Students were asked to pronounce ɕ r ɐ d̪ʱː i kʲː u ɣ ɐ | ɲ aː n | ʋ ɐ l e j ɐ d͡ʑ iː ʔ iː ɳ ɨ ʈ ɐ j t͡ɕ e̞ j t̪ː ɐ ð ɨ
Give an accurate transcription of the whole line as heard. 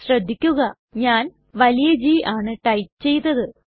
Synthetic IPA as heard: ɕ r ɐ d̪ʱː i kʲː u ɣ ɐ | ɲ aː n | ʋ ɐ l i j ɐ d͡ʑ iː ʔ aː ɳ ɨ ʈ ɐ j t͡ɕ e̞ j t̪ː ɐ ð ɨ